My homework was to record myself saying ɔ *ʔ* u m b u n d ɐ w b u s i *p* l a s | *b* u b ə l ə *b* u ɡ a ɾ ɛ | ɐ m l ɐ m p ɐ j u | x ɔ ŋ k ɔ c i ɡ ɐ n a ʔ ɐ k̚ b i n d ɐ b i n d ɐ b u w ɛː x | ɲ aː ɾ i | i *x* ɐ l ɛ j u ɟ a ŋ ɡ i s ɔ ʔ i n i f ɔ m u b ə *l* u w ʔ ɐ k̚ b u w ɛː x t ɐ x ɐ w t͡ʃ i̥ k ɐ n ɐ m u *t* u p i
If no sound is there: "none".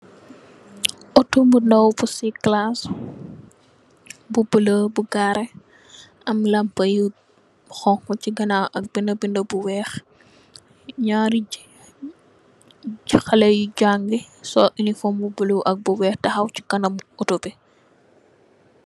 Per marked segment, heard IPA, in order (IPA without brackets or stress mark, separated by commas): t, k, b, b, x, l, t